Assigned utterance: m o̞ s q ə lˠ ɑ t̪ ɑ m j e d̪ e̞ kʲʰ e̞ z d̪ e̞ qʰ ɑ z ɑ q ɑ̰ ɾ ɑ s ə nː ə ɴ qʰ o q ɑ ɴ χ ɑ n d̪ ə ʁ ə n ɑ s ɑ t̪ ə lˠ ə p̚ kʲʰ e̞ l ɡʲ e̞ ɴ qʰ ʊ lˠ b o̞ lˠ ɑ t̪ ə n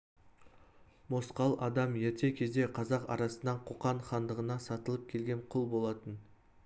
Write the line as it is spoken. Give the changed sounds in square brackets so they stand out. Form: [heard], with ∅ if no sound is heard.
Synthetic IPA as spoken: m o̞ s q [ɑ] lˠ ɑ [d̪] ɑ m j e [t̪] e̞ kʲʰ e̞ z d̪ e̞ qʰ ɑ z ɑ q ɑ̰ ɾ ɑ s ə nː [ɑ] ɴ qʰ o q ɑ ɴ χ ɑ n d̪ ə ʁ ə n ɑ s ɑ t̪ ə lˠ ə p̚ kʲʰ e̞ l ɡʲ e̞ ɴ qʰ ʊ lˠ b o̞ lˠ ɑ t̪ ə n

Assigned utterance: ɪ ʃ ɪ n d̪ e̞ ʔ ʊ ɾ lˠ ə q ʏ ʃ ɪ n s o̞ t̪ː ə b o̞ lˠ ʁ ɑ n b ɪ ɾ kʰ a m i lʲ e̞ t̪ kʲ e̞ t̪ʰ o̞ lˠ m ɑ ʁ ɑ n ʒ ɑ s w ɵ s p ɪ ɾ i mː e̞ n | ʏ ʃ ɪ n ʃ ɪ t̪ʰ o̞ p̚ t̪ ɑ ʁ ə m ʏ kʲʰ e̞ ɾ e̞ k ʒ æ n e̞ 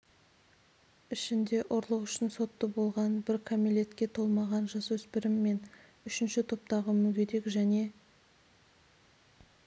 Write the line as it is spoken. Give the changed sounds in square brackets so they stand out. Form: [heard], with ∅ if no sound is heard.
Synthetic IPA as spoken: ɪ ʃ ɪ n d̪ e̞ ʔ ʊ ɾ lˠ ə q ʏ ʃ ɪ n s o̞ t̪ː ə b o̞ lˠ ʁ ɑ n b ɪ ɾ kʰ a m i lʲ e̞ t̪ kʲ e̞ t̪ʰ o̞ lˠ m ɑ ʁ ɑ n ʒ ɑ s w ɵ s p ɪ ɾ [ɪ] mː e̞ n | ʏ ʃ ɪ n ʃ ɪ t̪ʰ o̞ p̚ t̪ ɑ ʁ ə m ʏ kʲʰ e̞ ɾ e̞ k ʒ æ n e̞

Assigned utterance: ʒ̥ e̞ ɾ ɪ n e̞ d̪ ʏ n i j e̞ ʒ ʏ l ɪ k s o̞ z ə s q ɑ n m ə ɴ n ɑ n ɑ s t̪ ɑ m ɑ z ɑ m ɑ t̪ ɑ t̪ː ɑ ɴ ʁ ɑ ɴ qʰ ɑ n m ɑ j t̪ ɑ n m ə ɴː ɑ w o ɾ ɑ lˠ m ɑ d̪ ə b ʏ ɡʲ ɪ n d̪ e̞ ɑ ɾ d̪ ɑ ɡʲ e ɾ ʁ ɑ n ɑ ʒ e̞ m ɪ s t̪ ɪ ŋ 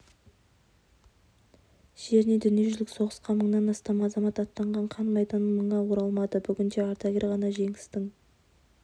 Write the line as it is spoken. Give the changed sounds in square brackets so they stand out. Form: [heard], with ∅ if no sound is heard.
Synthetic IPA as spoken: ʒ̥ e̞ ɾ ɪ n e̞ d̪ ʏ n i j e̞ ʒ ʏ l ɪ k s o̞ [ʁ] ə s q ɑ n m ə ɴ n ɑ n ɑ s t̪ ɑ m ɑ z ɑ m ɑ t̪ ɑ t̪ː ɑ ɴ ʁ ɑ ɴ qʰ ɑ n m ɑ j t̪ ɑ n m ə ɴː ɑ w o ɾ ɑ lˠ m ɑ d̪ ə b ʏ ɡʲ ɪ n d̪ e̞ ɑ ɾ [t̪] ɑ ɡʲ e ɾ ʁ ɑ n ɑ ʒ e̞ [ŋ] ɪ s t̪ ɪ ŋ

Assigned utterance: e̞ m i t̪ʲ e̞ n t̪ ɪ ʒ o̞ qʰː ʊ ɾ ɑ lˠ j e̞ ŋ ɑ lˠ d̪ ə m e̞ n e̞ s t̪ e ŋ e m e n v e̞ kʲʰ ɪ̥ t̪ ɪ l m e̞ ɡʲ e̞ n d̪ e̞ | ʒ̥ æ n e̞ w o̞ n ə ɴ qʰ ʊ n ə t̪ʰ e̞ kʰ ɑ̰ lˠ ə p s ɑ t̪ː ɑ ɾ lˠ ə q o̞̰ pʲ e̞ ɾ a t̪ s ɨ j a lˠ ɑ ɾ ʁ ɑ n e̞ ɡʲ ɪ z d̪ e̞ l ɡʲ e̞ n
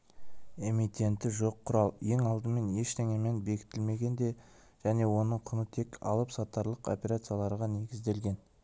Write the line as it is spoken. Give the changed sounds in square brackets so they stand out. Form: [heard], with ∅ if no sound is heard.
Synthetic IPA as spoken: e̞ m i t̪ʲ e̞ n t̪ ɪ ʒ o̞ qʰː ʊ ɾ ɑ lˠ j e̞ ŋ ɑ lˠ d̪ ə m e̞ n e̞ [ʃ] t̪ e ŋ e m e n [b] e̞ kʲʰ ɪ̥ t̪ ɪ l m e̞ ɡʲ e̞ n d̪ e̞ | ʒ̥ æ n e̞ w o̞ n ə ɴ qʰ ʊ n ə t̪ʰ e̞ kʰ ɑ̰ lˠ ə p s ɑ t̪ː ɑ ɾ lˠ ə q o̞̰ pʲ e̞ ɾ a t̪ s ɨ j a lˠ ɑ ɾ ʁ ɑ n e̞ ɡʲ ɪ z d̪ e̞ l ɡʲ e̞ n

